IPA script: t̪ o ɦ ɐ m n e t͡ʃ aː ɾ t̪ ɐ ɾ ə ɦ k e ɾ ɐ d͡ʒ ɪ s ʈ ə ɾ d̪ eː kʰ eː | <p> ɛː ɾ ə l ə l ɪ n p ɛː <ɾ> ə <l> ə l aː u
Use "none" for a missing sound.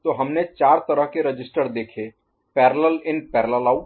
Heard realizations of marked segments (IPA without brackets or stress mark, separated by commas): p, ɾ, l